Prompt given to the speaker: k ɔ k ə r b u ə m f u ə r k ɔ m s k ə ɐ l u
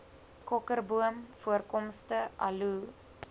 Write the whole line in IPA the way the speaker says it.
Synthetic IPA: k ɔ k ə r b u ə m f u ə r k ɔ m s t ə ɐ l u